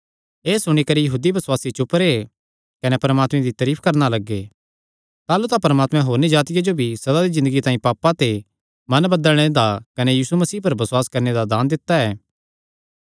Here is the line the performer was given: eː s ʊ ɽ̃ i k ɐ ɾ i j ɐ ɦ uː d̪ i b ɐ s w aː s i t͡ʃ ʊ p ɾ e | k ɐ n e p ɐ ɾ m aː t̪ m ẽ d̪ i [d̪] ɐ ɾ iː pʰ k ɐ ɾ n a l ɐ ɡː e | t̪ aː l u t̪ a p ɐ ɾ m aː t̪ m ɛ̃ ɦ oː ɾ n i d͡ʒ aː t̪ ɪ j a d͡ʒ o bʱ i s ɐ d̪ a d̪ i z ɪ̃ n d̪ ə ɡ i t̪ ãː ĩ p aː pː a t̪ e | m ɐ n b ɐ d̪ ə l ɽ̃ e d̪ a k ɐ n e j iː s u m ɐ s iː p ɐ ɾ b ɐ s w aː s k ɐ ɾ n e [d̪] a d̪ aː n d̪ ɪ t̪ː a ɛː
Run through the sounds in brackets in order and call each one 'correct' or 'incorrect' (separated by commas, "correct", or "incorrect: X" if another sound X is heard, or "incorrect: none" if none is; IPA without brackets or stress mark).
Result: incorrect: t̪, correct